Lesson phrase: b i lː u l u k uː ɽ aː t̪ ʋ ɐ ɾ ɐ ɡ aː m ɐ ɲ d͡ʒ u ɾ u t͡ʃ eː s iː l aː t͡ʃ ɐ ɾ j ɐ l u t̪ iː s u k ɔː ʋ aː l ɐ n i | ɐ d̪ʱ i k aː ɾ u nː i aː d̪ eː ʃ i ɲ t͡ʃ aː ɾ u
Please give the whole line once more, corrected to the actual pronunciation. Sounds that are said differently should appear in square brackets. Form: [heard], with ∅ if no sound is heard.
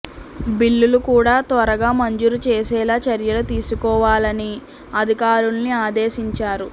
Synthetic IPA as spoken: b i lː u l u k uː ɽ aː t̪ ʋ ɐ ɾ ɐ ɡ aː m ɐ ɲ d͡ʒ u ɾ u t͡ʃ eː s [ɛː] l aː t͡ʃ ɐ ɾ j ɐ l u t̪ iː s u k ɔː ʋ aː l ɐ n i | ɐ d̪ʱ i k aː ɾ u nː i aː d̪ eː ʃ i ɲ t͡ʃ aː ɾ u

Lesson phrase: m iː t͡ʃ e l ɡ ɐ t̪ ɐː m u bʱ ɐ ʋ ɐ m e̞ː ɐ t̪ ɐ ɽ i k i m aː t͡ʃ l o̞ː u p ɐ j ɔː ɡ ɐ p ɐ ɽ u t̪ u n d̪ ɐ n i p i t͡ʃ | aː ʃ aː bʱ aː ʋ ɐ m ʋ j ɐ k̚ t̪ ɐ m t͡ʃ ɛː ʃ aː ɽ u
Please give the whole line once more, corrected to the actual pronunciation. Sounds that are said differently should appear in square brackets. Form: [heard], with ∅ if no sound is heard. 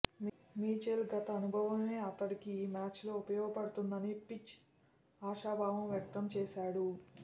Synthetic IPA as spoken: m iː t͡ʃ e l ɡ ɐ t̪ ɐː [n] u bʱ ɐ ʋ ɐ m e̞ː ɐ t̪ ɐ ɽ i k i m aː t͡ʃ l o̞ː u p ɐ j ɔː ɡ ɐ p ɐ ɽ u t̪ u n d̪ ɐ n i p i t͡ʃ | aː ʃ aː bʱ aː ʋ ɐ m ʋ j ɐ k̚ t̪ ɐ m t͡ʃ ɛː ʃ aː ɽ u

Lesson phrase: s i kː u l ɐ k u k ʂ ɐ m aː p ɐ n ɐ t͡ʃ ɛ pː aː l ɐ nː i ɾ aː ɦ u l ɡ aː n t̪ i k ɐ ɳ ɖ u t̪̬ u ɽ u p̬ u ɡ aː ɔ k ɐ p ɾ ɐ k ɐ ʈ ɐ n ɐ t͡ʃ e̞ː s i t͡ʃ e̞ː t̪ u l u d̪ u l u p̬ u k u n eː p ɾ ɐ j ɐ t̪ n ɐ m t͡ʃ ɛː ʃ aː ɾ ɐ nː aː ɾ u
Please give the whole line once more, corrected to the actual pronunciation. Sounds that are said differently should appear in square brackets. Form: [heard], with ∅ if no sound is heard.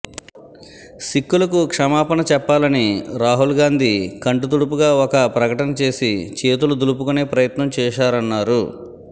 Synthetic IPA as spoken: s i kː u l ɐ k u k ʂ ɐ m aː p ɐ n ɐ t͡ʃ ɛ pː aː l ɐ [n] i ɾ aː ɦ u l ɡ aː n [d̪] i k ɐ ɳ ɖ u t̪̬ u ɽ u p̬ u ɡ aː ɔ k ɐ p ɾ ɐ k ɐ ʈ ɐ n ɐ t͡ʃ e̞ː s i t͡ʃ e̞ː t̪ u l u d̪ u l u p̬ u k u n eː p ɾ ɐ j ɐ t̪ n ɐ m t͡ʃ ɛː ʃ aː ɾ ɐ nː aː ɾ u

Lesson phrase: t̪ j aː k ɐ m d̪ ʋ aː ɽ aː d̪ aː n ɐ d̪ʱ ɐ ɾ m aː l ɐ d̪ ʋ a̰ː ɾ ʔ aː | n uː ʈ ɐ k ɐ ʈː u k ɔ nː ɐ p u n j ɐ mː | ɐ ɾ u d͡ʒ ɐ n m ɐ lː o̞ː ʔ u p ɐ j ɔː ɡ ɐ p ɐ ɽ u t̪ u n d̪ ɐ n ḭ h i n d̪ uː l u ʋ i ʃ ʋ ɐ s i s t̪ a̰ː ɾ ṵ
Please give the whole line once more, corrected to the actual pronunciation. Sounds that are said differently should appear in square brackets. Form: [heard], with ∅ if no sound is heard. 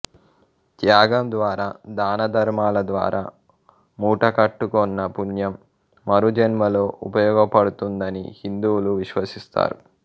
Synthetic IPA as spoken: t̪ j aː [ɡ] ɐ m d̪ ʋ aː [ɾ] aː d̪ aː n ɐ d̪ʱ ɐ ɾ m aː l ɐ d̪ ʋ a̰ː ɾ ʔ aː | [m] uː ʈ ɐ k ɐ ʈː u k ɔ nː ɐ p u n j ɐ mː | ɐ ɾ u d͡ʒ ɐ n m ɐ [l] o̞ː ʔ u p ɐ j ɔː ɡ ɐ p ɐ ɽ u t̪ u n d̪ ɐ n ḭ h i n d̪ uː l u ʋ i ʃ ʋ ɐ s i s t̪ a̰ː ɾ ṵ

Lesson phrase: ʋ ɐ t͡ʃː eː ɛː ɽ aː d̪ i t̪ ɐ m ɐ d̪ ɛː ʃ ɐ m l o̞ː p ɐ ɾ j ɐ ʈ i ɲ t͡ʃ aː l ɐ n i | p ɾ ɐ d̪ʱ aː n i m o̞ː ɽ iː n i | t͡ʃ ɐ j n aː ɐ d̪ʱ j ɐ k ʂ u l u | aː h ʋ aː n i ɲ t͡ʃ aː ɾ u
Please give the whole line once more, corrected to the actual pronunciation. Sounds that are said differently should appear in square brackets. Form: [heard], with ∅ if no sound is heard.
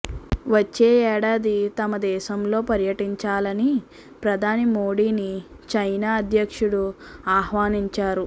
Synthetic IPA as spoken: ʋ ɐ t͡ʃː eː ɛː ɽ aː d̪ i t̪ ɐ m ɐ d̪ ɛː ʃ ɐ m l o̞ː p ɐ ɾ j ɐ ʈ i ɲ t͡ʃ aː l ɐ n i | p ɾ ɐ d̪ʱ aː n i m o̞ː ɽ iː n i | t͡ʃ ɐ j n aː ɐ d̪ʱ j ɐ k ʂ u [ɽ] u | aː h ʋ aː n i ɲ t͡ʃ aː ɾ u

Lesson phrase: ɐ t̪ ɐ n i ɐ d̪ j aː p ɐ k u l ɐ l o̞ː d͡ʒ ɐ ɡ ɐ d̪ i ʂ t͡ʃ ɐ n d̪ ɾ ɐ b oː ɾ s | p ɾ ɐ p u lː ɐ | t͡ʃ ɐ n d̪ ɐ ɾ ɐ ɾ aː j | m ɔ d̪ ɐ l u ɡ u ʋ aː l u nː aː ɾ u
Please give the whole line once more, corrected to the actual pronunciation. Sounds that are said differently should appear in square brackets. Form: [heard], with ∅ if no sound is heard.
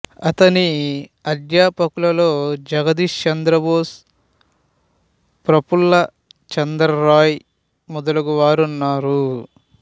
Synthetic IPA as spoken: ɐ t̪ ɐ n i ɐ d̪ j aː p ɐ k u l ɐ l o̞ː d͡ʒ ɐ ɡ ɐ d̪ i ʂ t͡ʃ ɐ n d̪ ɾ ɐ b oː [∅] s | p ɾ ɐ p u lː ɐ | t͡ʃ ɐ n d̪ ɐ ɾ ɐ ɾ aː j | m ɔ d̪ ɐ l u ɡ u ʋ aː [ɾ] u nː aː ɾ u

